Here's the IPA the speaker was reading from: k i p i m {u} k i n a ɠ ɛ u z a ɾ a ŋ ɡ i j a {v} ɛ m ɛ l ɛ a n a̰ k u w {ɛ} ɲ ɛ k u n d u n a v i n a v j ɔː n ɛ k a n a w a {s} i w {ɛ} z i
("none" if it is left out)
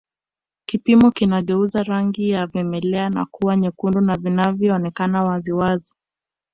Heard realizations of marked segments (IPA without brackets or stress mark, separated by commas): ɔ, v, a, z, a